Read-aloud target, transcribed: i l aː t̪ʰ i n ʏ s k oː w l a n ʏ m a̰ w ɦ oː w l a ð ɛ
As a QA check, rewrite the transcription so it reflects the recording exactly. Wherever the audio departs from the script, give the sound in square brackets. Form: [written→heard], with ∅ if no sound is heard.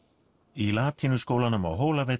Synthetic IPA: i l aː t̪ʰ i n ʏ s k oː w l a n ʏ m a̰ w ɦ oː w l a [ð→v] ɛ